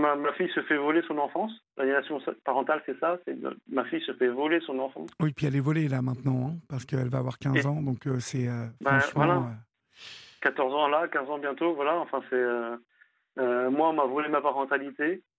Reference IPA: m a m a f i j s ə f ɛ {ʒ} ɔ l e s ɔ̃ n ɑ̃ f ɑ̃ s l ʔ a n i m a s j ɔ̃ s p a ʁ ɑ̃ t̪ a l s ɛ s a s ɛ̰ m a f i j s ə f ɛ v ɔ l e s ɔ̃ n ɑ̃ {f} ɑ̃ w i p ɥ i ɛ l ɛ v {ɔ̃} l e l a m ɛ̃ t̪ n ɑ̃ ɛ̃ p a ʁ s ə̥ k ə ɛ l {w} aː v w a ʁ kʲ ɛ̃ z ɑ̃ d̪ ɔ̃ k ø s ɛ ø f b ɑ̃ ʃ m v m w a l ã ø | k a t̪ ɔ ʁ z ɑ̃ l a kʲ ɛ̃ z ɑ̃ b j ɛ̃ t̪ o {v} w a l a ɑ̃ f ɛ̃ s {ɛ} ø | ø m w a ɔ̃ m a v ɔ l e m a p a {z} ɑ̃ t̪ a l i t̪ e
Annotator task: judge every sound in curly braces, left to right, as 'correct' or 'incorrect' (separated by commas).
incorrect, correct, incorrect, incorrect, correct, correct, incorrect